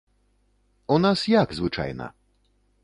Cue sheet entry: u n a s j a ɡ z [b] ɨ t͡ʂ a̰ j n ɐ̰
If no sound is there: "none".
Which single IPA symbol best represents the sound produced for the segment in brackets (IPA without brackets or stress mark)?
v